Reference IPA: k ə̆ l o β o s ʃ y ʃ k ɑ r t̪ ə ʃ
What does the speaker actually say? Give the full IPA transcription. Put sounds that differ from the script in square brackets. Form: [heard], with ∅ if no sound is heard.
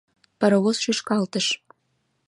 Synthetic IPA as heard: [p] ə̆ [ɾ] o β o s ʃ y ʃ k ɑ [l] t̪ ə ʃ